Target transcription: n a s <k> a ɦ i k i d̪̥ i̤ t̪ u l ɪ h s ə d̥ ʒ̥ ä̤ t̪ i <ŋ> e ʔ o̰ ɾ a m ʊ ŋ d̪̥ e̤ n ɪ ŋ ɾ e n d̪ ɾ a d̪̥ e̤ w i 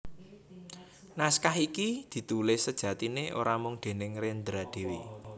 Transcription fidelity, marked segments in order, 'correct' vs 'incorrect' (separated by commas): correct, incorrect